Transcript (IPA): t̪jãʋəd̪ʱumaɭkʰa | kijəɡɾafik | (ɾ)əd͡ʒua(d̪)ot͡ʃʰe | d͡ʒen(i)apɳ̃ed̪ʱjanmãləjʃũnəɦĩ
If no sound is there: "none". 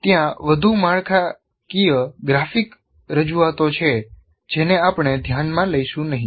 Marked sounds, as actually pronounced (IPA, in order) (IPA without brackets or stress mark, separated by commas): ɾ, t̪, e